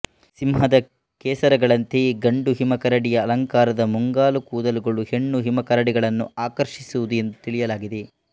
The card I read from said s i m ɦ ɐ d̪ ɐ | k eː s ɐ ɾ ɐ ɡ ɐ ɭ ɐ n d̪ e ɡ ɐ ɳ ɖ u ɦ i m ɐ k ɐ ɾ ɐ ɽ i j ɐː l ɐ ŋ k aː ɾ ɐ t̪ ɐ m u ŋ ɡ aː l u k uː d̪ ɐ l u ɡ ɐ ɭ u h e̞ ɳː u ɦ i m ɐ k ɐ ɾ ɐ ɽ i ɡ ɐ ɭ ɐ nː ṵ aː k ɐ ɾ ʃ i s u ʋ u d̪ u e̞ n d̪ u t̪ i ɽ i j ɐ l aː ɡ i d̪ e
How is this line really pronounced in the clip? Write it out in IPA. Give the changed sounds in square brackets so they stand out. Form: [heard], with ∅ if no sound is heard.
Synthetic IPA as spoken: s i m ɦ ɐ d̪ ɐ | k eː s ɐ ɾ ɐ ɡ ɐ ɭ ɐ n [t̪] e ɡ ɐ ɳ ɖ u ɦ i m ɐ k ɐ ɾ ɐ ɽ i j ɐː l ɐ ŋ k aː ɾ ɐ [d̪] ɐ m u ŋ ɡ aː l u k uː d̪ ɐ l u ɡ ɐ ɭ u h e̞ ɳː u ɦ i m ɐ k ɐ ɾ ɐ ɽ i ɡ ɐ ɭ ɐ nː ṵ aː k ɐ ɾ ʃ i s u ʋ u d̪ u e̞ n d̪ u t̪ i [ɭ] i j ɐ l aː ɡ i d̪ e